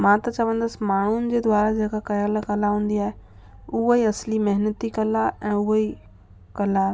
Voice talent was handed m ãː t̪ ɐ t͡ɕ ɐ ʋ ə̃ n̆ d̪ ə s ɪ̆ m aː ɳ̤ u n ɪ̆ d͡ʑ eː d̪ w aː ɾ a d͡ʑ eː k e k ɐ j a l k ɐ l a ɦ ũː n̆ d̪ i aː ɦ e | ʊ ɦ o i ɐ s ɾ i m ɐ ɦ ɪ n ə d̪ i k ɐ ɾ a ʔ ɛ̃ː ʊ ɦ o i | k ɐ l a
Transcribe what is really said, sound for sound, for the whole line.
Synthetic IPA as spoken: m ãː t̪ ɐ t͡ɕ ɐ ʋ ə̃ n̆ d̪ ə s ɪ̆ m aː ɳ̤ u n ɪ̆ d͡ʑ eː d̪ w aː ɾ a d͡ʑ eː k a k ɐ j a l k ɐ l a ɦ ũː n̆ d̪ i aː ɦ e | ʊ ɦ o i ɐ s l i m ɐ ɦ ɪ n ə t̪ i k ɐ l a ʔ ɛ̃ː ʊ ɦ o i | k ɐ l a